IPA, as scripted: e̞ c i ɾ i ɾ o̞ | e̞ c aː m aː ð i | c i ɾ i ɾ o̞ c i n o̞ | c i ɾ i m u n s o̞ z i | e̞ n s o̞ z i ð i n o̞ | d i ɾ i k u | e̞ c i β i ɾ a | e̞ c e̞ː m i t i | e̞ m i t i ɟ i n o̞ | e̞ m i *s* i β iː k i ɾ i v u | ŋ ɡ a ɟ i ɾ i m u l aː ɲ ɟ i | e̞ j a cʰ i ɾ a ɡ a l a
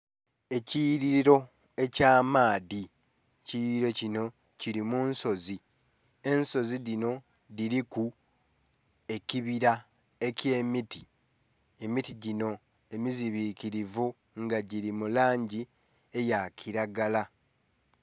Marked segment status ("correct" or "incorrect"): incorrect